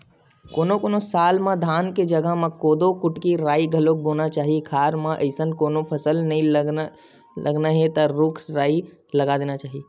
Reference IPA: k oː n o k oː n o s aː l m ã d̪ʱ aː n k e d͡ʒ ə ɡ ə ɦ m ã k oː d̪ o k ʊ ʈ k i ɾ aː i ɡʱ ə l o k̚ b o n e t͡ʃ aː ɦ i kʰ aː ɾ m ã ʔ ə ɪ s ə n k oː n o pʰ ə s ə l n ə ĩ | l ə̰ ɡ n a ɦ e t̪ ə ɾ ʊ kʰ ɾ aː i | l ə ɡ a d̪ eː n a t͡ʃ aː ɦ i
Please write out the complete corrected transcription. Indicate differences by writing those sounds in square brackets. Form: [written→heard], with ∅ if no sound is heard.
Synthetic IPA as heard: k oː n o k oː n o s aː l m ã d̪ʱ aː n k e d͡ʒ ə ɡ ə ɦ m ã k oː d̪ o k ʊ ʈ k i ɾ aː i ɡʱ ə l o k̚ b o n [e→a] t͡ʃ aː ɦ i kʰ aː ɾ m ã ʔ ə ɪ s ə n k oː n o pʰ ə s ə l n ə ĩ | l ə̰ ɡ n a ɦ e t̪ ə ɾ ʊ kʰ ɾ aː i | l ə ɡ a d̪ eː n a t͡ʃ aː ɦ i